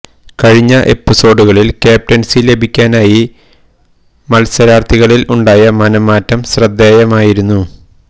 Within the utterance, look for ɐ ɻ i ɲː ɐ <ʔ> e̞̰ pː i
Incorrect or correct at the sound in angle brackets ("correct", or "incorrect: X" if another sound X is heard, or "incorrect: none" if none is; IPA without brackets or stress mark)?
correct